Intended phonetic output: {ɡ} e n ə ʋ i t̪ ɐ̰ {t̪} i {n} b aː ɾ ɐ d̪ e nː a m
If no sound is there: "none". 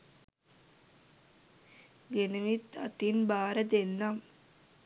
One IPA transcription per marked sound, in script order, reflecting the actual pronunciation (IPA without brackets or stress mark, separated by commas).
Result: ɡ, t̪, n